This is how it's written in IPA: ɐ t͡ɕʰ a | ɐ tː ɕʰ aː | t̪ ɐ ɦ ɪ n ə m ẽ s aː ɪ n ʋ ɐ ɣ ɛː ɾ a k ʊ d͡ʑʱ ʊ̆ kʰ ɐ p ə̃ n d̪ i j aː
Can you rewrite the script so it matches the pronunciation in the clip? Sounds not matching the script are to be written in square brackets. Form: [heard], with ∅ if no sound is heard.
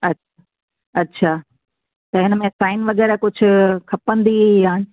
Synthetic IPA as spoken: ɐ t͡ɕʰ a | ɐ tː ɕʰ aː | t̪ ɐ ɦ ɪ n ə m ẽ s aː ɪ n ʋ ɐ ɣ ɛː ɾ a k ʊ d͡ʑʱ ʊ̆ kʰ ɐ p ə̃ n d̪ i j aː